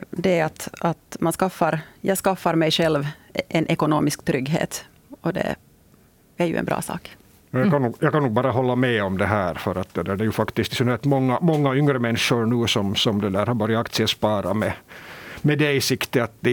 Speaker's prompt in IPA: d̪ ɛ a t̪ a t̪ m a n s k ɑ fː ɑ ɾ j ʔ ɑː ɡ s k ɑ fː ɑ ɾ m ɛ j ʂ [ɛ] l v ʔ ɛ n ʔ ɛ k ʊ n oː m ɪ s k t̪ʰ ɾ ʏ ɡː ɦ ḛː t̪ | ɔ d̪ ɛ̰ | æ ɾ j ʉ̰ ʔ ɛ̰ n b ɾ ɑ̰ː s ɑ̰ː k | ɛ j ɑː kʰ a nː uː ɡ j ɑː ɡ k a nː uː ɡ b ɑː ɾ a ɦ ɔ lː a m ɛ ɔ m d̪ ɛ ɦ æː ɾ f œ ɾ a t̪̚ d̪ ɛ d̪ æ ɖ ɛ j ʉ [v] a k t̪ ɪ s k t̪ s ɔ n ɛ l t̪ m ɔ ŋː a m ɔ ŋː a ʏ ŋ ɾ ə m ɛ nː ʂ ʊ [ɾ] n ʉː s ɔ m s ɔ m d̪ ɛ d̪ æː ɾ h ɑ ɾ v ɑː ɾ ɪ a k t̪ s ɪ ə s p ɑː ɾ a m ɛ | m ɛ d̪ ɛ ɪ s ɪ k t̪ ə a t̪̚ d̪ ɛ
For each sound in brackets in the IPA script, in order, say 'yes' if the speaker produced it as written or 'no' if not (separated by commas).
yes, no, yes